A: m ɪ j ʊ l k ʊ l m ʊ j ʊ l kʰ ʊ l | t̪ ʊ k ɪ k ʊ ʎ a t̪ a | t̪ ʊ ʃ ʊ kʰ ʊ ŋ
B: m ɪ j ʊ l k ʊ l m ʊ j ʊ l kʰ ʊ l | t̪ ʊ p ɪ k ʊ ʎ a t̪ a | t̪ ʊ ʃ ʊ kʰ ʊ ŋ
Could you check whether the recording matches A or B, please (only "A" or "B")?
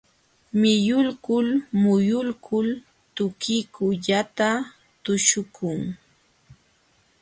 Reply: A